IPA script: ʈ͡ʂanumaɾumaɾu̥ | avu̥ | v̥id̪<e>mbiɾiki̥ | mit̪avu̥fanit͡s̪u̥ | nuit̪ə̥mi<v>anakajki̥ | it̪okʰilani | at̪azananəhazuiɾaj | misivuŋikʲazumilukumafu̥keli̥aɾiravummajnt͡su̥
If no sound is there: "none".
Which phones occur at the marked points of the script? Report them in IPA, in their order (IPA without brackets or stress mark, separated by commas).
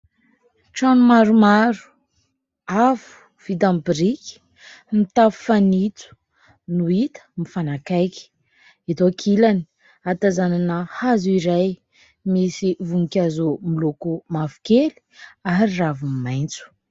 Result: a, f